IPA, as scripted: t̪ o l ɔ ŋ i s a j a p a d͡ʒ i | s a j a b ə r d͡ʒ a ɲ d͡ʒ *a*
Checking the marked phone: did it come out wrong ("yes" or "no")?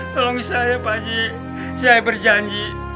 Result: yes